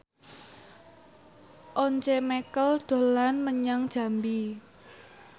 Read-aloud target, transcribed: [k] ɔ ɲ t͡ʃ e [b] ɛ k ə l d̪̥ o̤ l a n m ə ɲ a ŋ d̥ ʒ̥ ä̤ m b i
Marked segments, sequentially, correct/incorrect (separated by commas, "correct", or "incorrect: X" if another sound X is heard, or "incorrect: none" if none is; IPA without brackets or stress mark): incorrect: ʔ, incorrect: m